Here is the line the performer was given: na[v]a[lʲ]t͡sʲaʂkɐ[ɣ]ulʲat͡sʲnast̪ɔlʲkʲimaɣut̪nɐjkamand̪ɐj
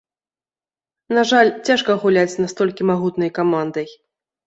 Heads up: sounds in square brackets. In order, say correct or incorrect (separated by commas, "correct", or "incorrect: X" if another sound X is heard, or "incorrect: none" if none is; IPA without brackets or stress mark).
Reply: incorrect: ʐ, correct, correct